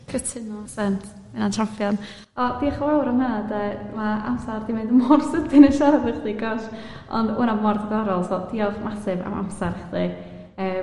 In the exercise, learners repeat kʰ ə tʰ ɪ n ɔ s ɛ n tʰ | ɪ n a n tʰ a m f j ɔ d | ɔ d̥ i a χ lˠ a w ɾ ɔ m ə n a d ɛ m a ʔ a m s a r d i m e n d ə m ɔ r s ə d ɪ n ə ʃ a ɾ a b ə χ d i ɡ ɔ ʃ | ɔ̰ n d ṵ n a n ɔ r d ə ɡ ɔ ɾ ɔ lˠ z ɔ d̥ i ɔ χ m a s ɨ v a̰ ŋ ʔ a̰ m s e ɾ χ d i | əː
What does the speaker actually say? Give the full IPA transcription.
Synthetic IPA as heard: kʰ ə tʰ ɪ n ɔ s ɛ n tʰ | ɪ n a n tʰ a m f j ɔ n | ɔ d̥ i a χ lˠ a w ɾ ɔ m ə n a d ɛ m a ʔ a m s a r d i m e n d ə m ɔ r s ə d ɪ n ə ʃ a ɾ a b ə χ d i ɡ ɔ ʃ | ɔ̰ n d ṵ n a m ɔ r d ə ɡ ɔ ɾ ɔ lˠ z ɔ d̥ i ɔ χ m a s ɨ v a̰ m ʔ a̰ m s a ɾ χ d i | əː